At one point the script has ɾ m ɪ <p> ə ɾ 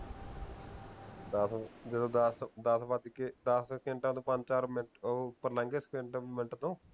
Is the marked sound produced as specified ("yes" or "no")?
yes